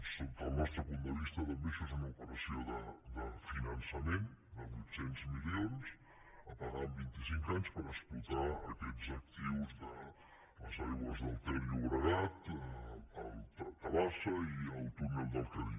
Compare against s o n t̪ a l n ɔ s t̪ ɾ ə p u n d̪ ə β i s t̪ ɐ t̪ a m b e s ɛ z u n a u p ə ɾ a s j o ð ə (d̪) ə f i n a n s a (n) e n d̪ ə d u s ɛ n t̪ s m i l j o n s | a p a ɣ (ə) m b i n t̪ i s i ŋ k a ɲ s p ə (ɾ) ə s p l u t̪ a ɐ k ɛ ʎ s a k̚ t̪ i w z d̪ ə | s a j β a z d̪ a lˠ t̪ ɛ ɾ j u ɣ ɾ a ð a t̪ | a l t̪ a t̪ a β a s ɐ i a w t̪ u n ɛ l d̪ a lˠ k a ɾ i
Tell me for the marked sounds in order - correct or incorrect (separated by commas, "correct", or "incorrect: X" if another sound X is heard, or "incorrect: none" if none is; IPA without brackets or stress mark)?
correct, incorrect: m, incorrect: a, correct